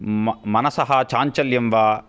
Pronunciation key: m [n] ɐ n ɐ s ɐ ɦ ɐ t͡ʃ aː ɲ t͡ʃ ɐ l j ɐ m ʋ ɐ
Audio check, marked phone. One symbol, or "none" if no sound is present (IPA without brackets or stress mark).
m